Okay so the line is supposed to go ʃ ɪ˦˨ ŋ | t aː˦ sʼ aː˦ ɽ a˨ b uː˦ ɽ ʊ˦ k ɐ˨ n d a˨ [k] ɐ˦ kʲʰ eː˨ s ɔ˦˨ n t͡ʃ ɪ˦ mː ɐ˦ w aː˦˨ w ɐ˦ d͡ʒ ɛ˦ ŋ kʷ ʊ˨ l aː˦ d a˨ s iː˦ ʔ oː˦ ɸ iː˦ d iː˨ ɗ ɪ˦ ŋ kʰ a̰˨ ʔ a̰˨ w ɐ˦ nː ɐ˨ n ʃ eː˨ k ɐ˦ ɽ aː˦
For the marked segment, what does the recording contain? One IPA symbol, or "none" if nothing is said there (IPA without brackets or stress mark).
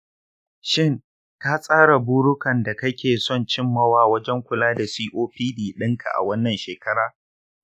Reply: k